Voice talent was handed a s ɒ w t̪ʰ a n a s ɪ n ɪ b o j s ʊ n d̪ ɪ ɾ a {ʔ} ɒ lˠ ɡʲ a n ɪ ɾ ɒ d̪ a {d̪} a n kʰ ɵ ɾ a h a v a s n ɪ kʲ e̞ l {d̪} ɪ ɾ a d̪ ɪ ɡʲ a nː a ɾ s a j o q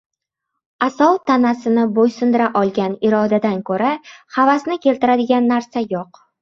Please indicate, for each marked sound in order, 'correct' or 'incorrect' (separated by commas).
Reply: correct, correct, incorrect